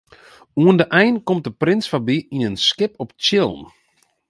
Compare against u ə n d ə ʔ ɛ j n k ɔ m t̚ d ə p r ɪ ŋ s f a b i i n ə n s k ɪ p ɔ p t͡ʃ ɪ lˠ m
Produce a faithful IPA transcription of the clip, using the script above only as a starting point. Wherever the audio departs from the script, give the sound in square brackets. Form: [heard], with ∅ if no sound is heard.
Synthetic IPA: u ə n d ə ʔ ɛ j n k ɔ m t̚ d ə p r ɪ [n] s f a b i i n ə n s k ɪ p ɔ p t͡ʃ ɪ lˠ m